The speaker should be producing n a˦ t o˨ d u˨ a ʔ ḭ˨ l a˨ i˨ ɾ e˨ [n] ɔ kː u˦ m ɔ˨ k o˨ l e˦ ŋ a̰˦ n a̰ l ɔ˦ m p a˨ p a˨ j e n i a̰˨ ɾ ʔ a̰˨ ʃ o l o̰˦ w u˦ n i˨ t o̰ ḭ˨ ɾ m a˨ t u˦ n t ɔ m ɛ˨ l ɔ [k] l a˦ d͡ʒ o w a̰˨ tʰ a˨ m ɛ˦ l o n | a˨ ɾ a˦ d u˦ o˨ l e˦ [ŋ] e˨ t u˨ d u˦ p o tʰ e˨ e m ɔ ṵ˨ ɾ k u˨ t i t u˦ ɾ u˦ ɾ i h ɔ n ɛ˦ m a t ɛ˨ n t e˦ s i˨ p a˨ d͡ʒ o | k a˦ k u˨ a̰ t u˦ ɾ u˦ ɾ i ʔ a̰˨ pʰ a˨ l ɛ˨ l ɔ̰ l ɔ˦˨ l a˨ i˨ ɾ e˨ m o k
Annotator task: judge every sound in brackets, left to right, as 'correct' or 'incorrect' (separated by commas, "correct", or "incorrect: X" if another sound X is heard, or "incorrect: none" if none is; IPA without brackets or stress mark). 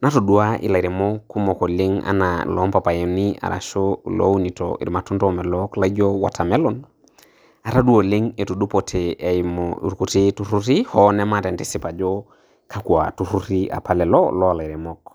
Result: incorrect: m, correct, correct